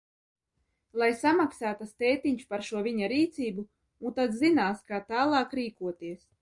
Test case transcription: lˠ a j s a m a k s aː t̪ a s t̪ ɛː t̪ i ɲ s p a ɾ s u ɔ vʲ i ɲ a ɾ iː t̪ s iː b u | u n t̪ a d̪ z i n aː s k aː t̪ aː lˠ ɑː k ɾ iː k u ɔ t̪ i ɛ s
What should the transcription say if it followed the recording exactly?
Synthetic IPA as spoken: lˠ a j s a m a k s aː t̪ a s t̪ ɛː t̪ i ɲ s p a ɾ ʃ u ɔ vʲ i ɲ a ɾ iː t̪ s iː b u | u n t̪ a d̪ z i n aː s k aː t̪ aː lˠ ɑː k ɾ iː k u ɔ t̪ i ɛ s